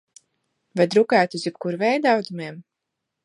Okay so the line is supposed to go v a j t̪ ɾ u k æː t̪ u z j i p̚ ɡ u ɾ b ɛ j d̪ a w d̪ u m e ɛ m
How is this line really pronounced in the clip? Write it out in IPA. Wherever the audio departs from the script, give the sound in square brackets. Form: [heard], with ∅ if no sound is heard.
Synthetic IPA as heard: v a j [d̪] ɾ u k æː t̪ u z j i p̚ [k] u ɾ [v] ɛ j d̪ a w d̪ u m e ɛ m